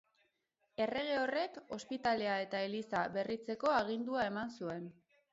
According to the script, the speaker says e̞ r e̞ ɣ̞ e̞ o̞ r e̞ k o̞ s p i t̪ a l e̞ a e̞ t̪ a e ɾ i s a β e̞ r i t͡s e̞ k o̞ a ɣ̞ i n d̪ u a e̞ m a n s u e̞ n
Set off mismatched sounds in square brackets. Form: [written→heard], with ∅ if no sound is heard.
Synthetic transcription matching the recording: e̞ r e̞ ɣ̞ e̞ o̞ r e̞ k o̞ s p i t̪ a l e̞ a e̞ t̪ a e [ɾ→l] i s a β e̞ r i t͡s e̞ k o̞ a ɣ̞ i n d̪ u a e̞ m a n s u e̞ n